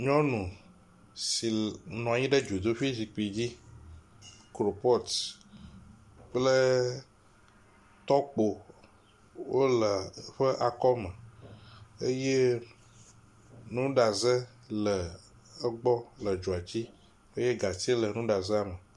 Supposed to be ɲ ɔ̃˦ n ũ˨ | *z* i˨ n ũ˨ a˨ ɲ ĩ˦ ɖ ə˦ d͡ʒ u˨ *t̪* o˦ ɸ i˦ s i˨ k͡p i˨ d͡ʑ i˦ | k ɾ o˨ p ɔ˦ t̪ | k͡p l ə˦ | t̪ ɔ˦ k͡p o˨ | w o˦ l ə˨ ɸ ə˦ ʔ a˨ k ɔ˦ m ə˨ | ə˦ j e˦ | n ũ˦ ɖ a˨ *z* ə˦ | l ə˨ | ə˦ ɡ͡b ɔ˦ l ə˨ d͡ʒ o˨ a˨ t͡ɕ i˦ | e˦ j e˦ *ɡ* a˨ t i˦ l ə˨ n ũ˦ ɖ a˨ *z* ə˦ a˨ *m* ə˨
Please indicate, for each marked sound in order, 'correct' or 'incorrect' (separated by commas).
incorrect, incorrect, correct, correct, correct, correct